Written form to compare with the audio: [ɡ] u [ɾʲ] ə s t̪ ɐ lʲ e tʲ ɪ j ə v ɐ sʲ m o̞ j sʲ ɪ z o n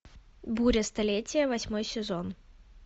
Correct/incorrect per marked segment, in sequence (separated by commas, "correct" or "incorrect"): incorrect, correct